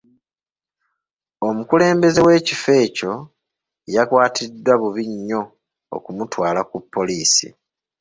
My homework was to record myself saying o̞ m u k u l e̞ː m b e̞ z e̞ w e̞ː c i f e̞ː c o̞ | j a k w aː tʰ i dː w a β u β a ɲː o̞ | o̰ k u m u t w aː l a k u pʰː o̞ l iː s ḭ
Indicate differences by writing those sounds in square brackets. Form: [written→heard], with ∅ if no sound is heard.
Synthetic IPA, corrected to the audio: o̞ m u k u l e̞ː m b e̞ z e̞ w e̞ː c i f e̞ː c o̞ | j a k w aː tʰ i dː w a β u β [a→i] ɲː o̞ | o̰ k u m u t w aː l a k u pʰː o̞ l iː s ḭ